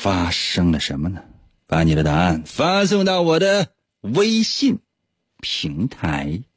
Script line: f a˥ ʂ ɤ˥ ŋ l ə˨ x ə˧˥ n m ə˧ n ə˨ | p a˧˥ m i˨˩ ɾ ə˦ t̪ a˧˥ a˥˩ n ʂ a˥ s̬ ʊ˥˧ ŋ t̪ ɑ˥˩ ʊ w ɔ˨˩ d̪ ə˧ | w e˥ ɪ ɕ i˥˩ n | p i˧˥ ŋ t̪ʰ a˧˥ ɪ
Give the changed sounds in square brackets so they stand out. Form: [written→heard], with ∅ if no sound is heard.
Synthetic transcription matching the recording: f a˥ ʂ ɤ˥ ŋ l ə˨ [x→ʂ] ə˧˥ n m ə˧ n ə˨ | p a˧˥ [m→n] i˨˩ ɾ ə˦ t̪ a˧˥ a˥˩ n [ʂ→f] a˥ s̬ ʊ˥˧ ŋ t̪ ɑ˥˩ ʊ w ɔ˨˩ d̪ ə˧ | w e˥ ɪ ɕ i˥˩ n | [p→pʰ] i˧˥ ŋ t̪ʰ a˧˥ ɪ